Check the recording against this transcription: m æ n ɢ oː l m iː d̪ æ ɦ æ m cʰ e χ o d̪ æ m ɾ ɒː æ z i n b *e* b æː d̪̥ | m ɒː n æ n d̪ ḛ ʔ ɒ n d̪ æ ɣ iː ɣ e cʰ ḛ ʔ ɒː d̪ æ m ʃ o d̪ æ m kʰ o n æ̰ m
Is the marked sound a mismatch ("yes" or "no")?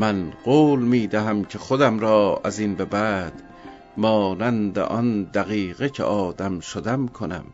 no